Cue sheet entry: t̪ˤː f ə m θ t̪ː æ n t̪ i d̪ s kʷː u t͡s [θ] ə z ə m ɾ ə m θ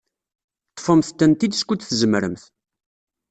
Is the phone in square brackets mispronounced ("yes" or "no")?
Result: no